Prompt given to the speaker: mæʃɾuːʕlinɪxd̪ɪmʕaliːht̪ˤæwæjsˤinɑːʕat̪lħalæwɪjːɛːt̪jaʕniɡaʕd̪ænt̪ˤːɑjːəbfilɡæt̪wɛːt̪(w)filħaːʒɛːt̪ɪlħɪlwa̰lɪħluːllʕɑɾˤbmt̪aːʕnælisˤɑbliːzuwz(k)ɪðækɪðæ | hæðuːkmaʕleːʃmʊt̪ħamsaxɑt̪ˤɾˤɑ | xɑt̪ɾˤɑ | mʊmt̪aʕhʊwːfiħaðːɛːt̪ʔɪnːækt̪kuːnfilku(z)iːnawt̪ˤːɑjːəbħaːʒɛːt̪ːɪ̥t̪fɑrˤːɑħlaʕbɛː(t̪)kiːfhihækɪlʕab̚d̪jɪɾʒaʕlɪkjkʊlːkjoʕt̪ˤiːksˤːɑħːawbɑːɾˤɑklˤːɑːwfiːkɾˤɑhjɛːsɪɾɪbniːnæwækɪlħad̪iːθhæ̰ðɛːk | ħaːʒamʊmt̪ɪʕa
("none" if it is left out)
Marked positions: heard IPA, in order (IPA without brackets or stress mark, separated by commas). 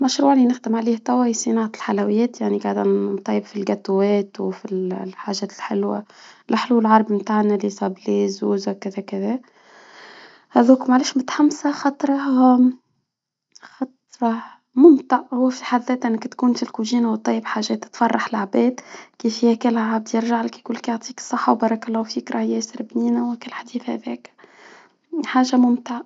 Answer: w, k, ʒ, d̪